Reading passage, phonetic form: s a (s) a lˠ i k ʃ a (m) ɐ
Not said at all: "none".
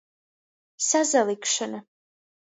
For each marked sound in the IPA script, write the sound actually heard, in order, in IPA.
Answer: z, n

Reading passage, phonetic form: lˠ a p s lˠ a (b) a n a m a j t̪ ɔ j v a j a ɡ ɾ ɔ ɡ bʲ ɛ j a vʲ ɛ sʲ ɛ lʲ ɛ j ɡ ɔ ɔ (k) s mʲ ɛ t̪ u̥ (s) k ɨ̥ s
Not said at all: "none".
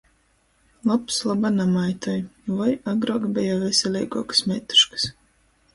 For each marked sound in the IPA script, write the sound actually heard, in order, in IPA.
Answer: b, k, ʃ

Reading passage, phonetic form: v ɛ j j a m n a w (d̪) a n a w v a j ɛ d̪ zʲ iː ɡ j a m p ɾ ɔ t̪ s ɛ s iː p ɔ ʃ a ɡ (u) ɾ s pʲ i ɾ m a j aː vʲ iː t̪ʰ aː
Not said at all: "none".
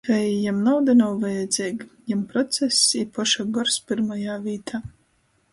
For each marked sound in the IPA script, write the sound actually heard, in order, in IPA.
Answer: d̪, ɔ

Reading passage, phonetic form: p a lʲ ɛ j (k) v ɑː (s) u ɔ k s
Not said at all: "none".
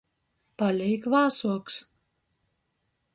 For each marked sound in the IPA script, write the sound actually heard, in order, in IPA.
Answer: k, s

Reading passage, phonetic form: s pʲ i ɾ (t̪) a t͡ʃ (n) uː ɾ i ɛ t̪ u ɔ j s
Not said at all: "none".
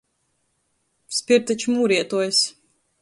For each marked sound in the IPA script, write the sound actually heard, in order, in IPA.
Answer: t̪, m

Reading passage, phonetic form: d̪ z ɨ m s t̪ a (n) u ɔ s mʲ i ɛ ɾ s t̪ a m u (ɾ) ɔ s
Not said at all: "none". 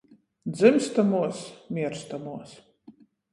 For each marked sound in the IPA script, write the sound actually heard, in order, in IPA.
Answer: m, none

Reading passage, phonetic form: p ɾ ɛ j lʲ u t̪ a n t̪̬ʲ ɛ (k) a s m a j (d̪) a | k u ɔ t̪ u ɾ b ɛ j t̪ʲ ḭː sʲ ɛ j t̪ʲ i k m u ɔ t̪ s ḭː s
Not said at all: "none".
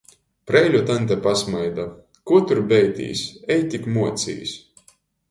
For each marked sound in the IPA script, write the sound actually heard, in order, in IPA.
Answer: p, d̪

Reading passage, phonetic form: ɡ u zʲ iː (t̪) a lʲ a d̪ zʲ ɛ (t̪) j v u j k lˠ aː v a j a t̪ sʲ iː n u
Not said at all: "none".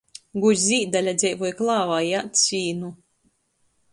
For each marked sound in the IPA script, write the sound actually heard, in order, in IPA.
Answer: d̪, none

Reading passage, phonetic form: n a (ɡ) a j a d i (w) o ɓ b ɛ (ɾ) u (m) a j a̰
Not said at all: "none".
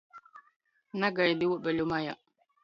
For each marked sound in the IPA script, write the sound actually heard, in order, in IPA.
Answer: ɡ, w, l, m

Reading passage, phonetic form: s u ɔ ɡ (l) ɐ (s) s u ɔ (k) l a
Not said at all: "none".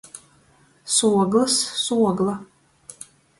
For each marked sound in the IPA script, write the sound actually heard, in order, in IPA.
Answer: l, s, ɡ

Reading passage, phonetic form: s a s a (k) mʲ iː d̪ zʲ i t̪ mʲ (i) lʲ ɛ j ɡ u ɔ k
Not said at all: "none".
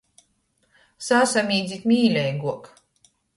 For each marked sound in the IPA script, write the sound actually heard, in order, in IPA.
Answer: none, iː

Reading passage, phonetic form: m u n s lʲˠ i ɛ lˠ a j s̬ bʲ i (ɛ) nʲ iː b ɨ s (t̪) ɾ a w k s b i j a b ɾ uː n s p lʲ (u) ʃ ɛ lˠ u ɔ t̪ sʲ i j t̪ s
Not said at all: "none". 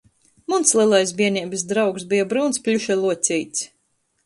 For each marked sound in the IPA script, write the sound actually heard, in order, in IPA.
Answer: ɛ, d̪, u

